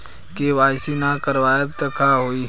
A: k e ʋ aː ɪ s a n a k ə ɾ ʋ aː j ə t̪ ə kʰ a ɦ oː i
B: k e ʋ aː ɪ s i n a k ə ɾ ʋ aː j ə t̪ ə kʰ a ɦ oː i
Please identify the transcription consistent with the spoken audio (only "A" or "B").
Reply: B